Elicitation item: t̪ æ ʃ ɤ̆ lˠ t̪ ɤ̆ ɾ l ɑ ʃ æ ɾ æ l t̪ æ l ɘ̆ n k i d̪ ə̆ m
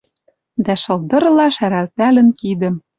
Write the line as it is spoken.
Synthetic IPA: d̪ æ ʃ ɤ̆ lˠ d̪ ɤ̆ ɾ l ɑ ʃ æ ɾ æ l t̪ æ l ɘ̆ n k i d̪ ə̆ m